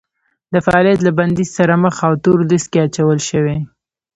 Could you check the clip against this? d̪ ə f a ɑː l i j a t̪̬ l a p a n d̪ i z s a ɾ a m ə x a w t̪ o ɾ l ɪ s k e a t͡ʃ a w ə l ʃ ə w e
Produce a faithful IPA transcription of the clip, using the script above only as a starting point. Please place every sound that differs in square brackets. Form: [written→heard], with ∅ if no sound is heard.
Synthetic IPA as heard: d̪ ə f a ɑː l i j a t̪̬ l a [p→b] a n d̪ i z s a ɾ a m ə x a w t̪ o ɾ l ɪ s k e a t͡ʃ a w ə l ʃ ə w e